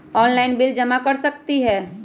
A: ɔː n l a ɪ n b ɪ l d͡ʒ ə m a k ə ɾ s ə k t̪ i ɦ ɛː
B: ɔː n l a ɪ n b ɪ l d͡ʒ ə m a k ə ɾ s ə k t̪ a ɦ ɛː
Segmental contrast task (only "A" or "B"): A